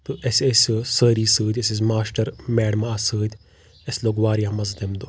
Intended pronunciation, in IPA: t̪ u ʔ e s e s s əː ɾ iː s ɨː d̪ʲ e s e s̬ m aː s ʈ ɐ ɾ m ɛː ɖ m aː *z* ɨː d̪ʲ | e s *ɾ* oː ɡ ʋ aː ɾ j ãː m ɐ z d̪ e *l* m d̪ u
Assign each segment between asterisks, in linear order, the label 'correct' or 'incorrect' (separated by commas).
incorrect, incorrect, incorrect